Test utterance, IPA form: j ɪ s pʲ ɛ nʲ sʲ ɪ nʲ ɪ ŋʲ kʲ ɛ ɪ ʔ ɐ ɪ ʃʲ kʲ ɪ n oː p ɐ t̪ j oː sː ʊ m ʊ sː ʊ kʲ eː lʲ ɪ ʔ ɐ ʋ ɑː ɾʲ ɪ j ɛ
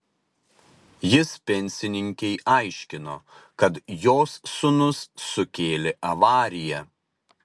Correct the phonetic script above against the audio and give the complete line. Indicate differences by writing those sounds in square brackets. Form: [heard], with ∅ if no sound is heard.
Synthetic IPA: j ɪ s pʲ ɛ nʲ sʲ ɪ nʲ ɪ ŋʲ kʲ ɛ ɪ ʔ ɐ ɪ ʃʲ kʲ ɪ n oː [k] ɐ t̪ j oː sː ʊ [n] ʊ sː ʊ kʲ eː lʲ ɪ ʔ ɐ ʋ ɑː ɾʲ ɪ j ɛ

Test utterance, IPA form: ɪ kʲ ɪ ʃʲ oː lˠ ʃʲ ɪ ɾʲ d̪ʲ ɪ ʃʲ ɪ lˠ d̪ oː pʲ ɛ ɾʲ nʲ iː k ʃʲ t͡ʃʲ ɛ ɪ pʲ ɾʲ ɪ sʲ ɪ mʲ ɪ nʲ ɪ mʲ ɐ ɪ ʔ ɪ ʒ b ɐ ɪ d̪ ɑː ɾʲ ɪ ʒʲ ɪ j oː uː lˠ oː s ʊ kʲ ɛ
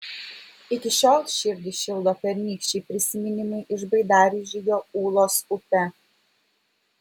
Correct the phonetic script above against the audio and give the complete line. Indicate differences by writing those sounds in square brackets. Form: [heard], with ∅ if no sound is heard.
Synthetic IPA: ɪ kʲ ɪ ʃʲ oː lˠ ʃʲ ɪ ɾʲ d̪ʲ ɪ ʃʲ ɪ lˠ d̪ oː pʲ ɛ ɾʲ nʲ iː k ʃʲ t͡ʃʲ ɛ ɪ pʲ ɾʲ ɪ sʲ ɪ mʲ ɪ nʲ ɪ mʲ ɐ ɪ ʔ ɪ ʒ b ɐ ɪ d̪ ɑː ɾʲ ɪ ʒʲ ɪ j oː uː lˠ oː s ʊ [pʲ] ɛ

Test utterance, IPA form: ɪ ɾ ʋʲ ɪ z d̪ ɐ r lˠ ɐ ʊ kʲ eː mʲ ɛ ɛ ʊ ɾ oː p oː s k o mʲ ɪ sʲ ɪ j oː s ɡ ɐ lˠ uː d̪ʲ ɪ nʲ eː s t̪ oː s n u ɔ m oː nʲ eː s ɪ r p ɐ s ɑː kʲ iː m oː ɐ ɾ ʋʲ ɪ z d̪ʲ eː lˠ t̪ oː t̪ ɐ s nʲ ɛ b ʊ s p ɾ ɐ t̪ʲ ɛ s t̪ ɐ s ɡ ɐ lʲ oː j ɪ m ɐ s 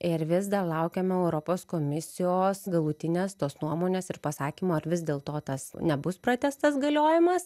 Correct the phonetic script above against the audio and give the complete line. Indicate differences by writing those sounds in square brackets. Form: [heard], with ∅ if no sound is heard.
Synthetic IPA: ɪ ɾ ʋʲ ɪ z d̪ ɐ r lˠ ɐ ʊ kʲ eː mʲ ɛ ɛ ʊ ɾ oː p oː s k o mʲ ɪ sʲ ɪ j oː s ɡ ɐ lˠ uː [t̪ʲ] ɪ nʲ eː s t̪ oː s n u ɔ m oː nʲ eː s ɪ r p ɐ s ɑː kʲ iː m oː ɐ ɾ ʋʲ ɪ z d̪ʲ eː lˠ t̪ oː t̪ ɐ s nʲ ɛ b ʊ s p ɾ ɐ t̪ʲ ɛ s t̪ ɐ s ɡ ɐ lʲ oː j ɪ m ɐ s

